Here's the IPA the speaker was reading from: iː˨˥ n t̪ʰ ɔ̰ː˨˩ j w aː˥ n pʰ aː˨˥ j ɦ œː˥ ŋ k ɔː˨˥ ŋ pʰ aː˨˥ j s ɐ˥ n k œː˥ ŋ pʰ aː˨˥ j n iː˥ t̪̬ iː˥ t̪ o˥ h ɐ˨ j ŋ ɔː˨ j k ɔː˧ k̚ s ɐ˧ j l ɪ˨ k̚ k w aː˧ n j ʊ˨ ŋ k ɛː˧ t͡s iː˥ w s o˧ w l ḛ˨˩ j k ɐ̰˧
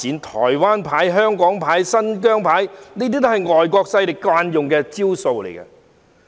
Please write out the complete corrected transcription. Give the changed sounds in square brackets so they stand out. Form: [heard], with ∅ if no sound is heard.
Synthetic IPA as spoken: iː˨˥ n t̪ʰ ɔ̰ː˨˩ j w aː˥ n pʰ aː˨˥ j ɦ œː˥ ŋ k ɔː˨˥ ŋ pʰ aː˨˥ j s ɐ˥ n k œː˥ ŋ pʰ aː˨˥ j n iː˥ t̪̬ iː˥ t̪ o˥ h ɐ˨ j ŋ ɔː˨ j k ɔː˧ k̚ s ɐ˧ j l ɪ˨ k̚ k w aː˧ n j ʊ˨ ŋ k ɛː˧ t͡s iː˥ w s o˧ w l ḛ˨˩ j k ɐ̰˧

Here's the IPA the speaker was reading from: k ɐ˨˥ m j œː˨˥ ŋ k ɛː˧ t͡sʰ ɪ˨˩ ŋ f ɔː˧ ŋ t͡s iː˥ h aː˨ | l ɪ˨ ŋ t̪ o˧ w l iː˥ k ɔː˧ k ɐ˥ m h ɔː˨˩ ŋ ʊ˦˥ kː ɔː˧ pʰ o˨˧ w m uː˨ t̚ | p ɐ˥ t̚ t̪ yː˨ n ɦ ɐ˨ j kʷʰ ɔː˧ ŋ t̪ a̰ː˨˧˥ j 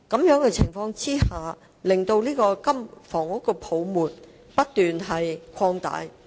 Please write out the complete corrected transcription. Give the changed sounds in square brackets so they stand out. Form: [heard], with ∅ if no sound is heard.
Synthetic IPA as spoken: k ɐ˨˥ m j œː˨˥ ŋ k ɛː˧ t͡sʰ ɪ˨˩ ŋ f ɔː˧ ŋ t͡s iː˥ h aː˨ | l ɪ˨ ŋ t̪ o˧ w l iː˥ k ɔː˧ k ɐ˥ m [f] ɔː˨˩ ŋ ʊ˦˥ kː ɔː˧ pʰ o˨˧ w m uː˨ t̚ | p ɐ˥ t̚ t̪ yː˨ n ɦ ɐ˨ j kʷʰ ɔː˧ ŋ t̪ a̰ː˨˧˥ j

